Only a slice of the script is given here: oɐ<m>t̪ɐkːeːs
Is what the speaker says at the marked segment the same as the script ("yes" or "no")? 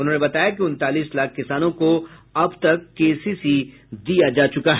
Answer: no